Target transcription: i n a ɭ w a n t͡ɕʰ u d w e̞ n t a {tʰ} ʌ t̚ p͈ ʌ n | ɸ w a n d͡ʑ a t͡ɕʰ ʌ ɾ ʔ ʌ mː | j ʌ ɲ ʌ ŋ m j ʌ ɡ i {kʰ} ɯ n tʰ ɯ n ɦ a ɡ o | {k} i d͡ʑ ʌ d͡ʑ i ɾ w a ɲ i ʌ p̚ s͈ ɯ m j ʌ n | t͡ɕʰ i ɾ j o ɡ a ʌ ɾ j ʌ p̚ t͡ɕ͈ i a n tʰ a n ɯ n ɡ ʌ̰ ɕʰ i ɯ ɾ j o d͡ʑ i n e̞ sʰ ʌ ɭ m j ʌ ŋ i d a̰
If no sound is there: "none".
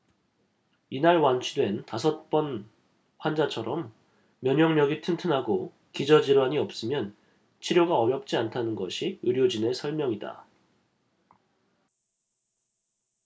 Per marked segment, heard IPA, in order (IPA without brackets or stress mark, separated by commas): sʰ, tʰ, k